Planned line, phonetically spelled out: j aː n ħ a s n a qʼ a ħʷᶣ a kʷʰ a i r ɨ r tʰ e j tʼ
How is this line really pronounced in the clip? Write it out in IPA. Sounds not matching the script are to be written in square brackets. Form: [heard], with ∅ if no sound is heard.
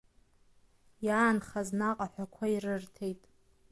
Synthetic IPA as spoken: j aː n [χ] a [z] n a qʼ a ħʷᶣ a kʷʰ a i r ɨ r tʰ e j tʼ